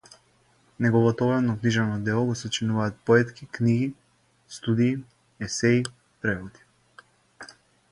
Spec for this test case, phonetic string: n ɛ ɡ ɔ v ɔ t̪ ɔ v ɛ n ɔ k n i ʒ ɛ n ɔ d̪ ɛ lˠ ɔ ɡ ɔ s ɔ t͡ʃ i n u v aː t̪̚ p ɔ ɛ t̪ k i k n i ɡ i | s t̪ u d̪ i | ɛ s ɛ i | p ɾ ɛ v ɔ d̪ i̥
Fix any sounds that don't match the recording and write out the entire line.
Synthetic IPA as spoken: n ɛ ɡ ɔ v ɔ t̪ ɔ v ɛ n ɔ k n i ʒ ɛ n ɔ d̪ ɛ lˠ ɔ ɡ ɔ s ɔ t͡ʃ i n u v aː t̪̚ p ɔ ɛ t̪ k i k n i ɡ i | s t̪ u d̪ iː | ɛ s ɛ i | p ɾ ɛ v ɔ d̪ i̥

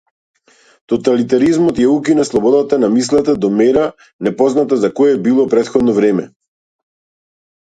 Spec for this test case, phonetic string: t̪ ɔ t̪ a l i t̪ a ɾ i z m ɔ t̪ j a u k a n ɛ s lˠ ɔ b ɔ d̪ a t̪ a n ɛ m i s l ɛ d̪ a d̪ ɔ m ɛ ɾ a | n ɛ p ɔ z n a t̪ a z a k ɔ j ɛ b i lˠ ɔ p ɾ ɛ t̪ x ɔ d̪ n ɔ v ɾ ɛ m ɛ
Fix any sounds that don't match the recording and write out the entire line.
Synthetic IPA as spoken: t̪ ɔ t̪ a l i t̪ a ɾ i z m ɔ t̪ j a u k i n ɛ s lˠ ɔ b ɔ d̪ a t̪ a n a m i s l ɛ t̪ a d̪ ɔ m ɛ ɾ a | n ɛ p ɔ z n a t̪ a z a k ɔ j ɛ b i lˠ ɔ p ɾ ɛ t̪ x ɔ d̪ n ɔ v ɾ ɛ m ɛ

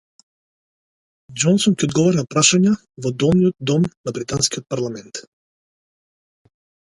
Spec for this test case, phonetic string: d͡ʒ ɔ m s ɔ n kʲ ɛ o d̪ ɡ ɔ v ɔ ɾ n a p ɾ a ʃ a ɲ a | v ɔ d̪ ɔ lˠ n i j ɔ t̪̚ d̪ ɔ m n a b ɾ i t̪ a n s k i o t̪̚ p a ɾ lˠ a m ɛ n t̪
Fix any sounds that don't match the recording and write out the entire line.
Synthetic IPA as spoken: d͡ʒ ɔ n s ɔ n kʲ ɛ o d̪ ɡ ɔ v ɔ ɾ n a p ɾ a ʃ a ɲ a | v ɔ d̪ ɔ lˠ n i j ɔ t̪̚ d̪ ɔ m n a b ɾ i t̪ a n s k i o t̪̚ p a ɾ lˠ a m ɛ n t̪

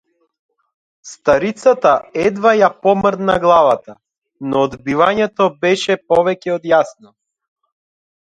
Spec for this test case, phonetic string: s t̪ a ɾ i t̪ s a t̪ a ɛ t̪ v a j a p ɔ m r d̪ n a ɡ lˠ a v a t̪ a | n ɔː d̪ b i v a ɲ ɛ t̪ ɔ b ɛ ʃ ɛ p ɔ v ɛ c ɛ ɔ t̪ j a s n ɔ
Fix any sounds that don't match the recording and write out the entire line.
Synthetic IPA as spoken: s t̪ a ɾ i t̪ s a t̪ a ɛ d̪ v a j a p ɔ m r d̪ n a ɡ lˠ a v a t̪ a | n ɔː d̪ b i v a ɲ ɛ t̪ ɔ b ɛ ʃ ɛ p ɔ v ɛ c ɛ ɔ d̪ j a s n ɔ

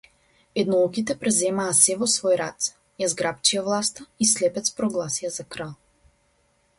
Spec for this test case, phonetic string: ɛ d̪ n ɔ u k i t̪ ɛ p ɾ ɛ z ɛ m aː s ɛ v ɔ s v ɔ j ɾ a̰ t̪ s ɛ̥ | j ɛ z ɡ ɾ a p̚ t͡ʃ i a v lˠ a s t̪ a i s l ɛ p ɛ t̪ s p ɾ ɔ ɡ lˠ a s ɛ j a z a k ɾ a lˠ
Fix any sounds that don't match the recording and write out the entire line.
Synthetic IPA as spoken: ɛ d̪ n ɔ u k i t̪ ɛ p ɾ ɛ z ɛ m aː s ɛ v ɔ s v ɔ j ɾ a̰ t̪ s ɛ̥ | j a z ɡ ɾ a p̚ t͡ʃ i a v lˠ a s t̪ a i s l ɛ p ɛ t̪ s p ɾ ɔ ɡ lˠ a s i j a z a k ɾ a lˠ

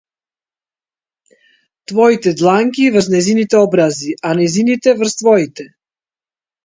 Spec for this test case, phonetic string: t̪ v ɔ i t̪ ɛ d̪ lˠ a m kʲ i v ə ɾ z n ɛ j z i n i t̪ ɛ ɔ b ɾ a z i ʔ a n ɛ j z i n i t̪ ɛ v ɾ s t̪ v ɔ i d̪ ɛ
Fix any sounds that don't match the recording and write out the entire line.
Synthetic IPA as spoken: t̪ v ɔ i t̪ ɛ d̪ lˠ a ŋ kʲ i v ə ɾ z n ɛ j z i n i t̪ ɛ ɔ b ɾ a z i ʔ a n ɛ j z i n i t̪ ɛ v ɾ s t̪ v ɔ i t̪ ɛ

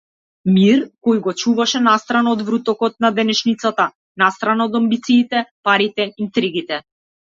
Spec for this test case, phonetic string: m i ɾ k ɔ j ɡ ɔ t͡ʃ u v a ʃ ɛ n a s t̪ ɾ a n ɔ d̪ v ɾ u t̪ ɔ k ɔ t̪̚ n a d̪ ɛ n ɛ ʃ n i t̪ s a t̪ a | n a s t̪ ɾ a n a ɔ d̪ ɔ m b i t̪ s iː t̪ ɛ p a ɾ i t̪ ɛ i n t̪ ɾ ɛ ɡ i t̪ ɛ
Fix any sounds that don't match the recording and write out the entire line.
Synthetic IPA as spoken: m i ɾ k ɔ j ɡ ɔ t͡ʃ u v a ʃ ɛ n a s t̪ ɾ a n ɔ d̪ v ɾ u t̪ ɔ k ɔ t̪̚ n a d̪ ɛ n ɛ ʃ n i t̪ s a t̪ a | n a s t̪ ɾ a n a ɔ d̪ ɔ m b i t̪ s iː t̪ ɛ p a ɾ i t̪ ɛ i n t̪ ɾ i ɡ i t̪ ɛ

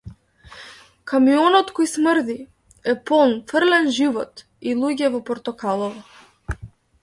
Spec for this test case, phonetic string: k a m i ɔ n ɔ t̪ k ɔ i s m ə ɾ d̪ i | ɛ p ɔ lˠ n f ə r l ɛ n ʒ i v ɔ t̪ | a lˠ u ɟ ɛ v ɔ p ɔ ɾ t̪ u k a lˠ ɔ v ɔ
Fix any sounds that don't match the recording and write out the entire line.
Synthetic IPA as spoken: k a m i ɔ n ɔ t̪ k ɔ j s m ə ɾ d̪ i | ɛ p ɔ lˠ n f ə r l ɛ n ʒ i v ɔ t̪ | i lˠ u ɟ ɛ v ɔ p ɔ ɾ t̪ ɔ k a lˠ ɔ v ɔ

